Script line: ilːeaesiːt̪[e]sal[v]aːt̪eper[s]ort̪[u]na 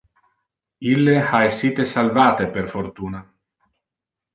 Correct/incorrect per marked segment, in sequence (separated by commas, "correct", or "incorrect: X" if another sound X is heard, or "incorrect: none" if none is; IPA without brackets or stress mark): correct, correct, incorrect: f, incorrect: uː